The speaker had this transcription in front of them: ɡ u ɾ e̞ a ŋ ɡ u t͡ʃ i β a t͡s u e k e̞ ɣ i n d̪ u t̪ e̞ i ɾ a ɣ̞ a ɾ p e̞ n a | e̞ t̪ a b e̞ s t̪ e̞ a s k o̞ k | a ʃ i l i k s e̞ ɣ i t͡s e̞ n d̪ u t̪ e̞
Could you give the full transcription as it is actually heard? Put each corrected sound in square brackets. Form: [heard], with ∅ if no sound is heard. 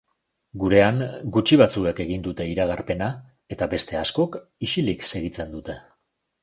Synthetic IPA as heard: ɡ u ɾ e̞ a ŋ ɡ u t͡ʃ i β a t͡s u e k e̞ ɣ i n d̪ u t̪ e̞ i ɾ a ɣ̞ a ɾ p e̞ n a | e̞ t̪ a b e̞ s t̪ e̞ a s k o̞ k | [i] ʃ i l i k s e̞ ɣ i t͡s e̞ n d̪ u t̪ e̞